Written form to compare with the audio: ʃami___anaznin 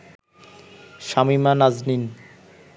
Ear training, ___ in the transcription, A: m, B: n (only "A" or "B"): A